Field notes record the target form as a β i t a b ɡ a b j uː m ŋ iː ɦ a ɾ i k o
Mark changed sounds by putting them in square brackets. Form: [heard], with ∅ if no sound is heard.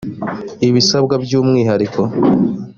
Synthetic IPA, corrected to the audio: [i] β i [s] a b ɡ a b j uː m ŋ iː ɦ a ɾ i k o